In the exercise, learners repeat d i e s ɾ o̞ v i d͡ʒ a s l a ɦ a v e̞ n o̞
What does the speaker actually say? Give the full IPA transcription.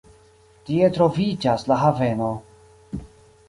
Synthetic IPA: t i e t ɾ o̞ v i d͡ʒ a s l a ɦ a v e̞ n o̞